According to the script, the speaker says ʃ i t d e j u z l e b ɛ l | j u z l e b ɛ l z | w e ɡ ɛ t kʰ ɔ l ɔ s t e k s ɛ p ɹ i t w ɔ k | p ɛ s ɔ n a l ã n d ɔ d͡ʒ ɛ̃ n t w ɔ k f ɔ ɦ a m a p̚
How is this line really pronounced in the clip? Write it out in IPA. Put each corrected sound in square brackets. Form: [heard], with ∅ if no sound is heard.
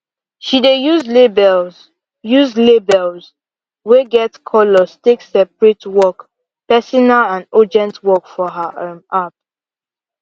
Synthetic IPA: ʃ i [∅] d e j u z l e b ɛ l | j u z l e b ɛ l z | w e ɡ ɛ t kʰ ɔ l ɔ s t e k s ɛ p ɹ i t w ɔ k | p ɛ s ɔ n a l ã n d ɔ d͡ʒ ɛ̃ n t w ɔ k f ɔ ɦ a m a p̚